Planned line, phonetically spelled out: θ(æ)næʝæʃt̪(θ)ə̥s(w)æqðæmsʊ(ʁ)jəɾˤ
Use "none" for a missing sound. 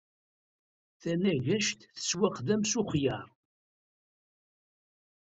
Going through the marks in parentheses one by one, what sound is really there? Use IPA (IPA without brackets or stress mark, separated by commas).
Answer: æ, θ, w, χ